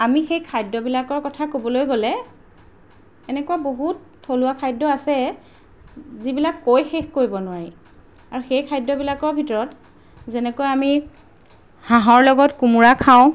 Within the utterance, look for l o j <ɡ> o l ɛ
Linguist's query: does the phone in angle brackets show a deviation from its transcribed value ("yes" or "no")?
no